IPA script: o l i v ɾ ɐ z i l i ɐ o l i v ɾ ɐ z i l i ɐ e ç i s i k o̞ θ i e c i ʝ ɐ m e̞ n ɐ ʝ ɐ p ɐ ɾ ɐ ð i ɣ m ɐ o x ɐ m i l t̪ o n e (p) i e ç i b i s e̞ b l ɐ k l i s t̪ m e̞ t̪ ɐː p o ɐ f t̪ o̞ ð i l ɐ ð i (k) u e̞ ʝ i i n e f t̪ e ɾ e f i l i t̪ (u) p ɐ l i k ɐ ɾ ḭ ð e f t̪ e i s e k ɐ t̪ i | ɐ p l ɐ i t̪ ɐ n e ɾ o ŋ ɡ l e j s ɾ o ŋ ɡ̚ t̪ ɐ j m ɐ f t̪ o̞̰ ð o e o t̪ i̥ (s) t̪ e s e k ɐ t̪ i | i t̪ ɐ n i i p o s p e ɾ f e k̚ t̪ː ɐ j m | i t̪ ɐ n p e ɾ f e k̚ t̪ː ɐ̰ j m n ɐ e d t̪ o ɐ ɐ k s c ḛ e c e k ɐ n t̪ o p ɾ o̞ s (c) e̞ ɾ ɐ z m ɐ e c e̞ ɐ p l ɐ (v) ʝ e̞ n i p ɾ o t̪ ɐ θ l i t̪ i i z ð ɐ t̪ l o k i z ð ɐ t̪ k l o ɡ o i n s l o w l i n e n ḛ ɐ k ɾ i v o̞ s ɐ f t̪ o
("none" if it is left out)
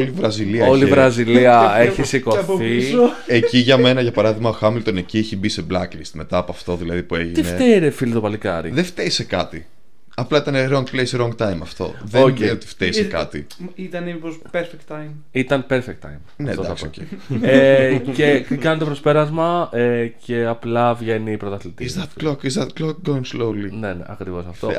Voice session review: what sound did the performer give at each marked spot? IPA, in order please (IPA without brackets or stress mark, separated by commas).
c, p, o, f, p, v